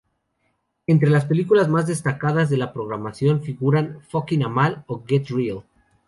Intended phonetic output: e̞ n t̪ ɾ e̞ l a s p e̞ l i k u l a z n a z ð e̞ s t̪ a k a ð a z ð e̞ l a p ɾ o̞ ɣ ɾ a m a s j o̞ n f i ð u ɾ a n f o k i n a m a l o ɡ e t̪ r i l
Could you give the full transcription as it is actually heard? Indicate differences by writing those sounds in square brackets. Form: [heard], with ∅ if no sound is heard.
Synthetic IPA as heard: e̞ n t̪ ɾ e̞ l a s p e̞ l i k u l a z [m] a z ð e̞ s t̪ a k a ð a z ð e̞ l a p ɾ o̞ ɣ ɾ a m a s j o̞ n f i [ɣ] u ɾ a n f o k i n a m a l o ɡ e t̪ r i l